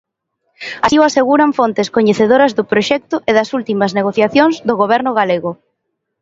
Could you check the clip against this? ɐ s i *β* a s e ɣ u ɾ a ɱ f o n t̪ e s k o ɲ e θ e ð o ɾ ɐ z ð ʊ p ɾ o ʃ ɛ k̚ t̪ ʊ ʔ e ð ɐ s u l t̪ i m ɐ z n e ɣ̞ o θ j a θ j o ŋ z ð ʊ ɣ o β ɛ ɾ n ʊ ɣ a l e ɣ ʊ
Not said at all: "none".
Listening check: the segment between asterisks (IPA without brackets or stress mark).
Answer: w